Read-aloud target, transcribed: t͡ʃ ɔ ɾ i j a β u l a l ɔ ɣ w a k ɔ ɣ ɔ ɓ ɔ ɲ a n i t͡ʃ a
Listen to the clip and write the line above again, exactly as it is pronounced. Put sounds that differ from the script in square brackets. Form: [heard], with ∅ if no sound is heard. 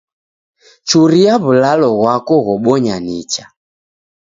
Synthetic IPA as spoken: t͡ʃ [u] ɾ i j a β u l a l ɔ ɣ w a k ɔ ɣ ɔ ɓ ɔ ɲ a n i t͡ʃ a